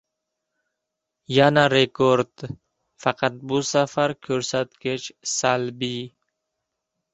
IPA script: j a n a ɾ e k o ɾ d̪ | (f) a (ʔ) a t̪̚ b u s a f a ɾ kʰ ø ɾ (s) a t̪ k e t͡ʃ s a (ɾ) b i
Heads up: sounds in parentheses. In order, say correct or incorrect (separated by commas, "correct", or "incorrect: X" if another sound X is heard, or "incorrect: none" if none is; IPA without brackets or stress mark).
correct, incorrect: q, correct, incorrect: l